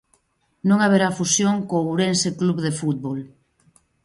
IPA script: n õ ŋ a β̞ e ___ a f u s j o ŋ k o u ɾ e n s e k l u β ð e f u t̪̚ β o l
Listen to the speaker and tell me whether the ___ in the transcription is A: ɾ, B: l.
A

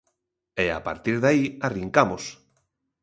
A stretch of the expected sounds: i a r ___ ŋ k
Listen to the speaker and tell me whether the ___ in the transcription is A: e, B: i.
B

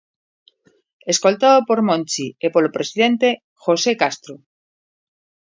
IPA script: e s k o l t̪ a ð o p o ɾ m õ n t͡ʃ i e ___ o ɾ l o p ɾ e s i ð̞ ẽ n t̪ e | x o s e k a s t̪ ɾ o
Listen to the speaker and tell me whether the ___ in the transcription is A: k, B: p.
B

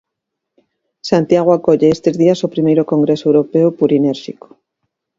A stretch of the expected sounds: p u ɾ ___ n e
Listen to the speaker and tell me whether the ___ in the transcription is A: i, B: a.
A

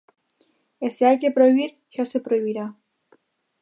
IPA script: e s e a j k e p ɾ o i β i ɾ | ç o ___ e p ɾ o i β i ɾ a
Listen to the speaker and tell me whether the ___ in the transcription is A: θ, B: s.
B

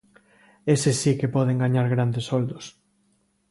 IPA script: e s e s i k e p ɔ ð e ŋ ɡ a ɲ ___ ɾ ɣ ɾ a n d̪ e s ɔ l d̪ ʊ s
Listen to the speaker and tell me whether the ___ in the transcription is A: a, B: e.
A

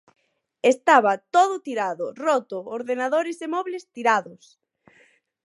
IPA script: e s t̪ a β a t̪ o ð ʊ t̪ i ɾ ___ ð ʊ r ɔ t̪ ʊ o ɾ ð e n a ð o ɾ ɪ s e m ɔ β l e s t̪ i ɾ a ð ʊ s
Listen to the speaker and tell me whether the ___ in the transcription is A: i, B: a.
B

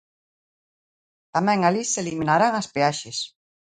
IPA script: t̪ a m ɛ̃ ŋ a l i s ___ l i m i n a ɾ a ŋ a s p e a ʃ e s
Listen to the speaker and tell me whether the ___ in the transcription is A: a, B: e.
B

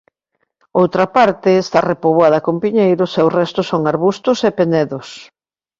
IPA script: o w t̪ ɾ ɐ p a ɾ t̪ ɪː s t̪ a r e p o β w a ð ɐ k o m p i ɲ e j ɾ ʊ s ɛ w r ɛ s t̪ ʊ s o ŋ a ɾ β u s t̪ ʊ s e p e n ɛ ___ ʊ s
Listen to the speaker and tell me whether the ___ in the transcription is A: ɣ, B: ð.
B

